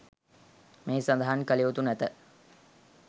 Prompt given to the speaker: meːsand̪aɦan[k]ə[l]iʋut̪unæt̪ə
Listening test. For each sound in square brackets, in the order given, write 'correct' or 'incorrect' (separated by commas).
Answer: correct, correct